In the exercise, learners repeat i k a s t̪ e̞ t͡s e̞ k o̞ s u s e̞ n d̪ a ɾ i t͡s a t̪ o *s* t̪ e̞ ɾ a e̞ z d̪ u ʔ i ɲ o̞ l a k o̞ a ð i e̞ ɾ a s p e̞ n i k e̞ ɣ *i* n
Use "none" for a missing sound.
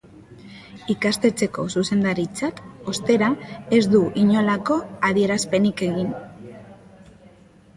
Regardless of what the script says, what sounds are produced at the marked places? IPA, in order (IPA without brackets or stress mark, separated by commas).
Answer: s, i